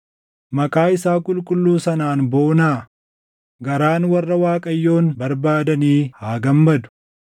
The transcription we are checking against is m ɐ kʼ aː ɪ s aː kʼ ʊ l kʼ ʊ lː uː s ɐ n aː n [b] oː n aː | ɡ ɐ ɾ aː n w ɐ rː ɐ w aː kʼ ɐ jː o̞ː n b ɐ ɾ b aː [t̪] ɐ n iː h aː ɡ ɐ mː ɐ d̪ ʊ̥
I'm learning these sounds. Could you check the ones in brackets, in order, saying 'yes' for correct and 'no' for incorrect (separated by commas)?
yes, no